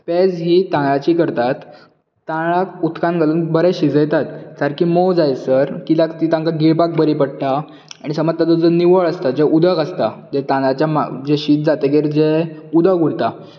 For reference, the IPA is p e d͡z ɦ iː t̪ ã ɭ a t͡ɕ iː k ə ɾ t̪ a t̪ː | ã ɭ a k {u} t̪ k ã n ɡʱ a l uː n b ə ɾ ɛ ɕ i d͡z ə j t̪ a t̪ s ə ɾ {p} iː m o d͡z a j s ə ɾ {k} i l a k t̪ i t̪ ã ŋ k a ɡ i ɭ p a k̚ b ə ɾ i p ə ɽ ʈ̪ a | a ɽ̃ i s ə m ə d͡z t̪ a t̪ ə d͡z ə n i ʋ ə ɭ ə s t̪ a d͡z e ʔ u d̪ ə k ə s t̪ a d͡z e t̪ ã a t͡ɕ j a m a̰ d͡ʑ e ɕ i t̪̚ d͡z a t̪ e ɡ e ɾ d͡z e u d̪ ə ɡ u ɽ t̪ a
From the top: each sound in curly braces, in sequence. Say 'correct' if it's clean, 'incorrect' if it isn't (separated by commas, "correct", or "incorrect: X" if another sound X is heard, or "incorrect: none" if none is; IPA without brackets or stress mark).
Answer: correct, incorrect: k, correct